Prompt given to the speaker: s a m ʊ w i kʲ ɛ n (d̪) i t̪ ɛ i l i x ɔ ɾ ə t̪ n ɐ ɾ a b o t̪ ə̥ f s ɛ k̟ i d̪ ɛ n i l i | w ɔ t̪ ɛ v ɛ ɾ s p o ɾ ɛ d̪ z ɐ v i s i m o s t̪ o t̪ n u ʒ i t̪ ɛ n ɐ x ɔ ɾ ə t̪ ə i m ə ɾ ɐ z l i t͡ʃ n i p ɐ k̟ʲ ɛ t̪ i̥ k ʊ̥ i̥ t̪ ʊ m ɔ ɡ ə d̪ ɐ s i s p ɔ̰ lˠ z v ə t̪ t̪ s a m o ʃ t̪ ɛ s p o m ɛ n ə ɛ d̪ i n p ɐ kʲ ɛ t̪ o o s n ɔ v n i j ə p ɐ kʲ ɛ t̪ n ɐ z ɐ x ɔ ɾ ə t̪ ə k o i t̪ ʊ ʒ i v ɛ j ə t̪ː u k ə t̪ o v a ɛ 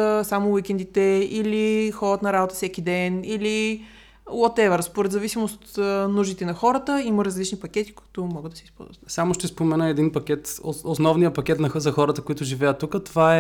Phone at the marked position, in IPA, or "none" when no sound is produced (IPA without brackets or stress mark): d̪